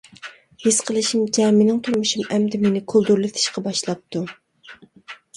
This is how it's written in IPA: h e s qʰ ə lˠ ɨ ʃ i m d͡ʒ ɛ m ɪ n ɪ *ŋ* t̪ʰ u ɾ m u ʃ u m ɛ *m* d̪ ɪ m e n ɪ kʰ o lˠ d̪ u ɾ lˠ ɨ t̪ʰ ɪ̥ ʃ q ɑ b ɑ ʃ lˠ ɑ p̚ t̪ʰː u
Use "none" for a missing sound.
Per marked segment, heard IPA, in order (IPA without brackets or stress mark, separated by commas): ŋ, m